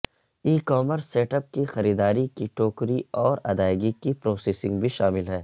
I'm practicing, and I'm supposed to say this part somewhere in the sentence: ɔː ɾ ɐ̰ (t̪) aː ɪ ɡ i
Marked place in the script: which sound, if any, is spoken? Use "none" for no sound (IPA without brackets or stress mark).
d̪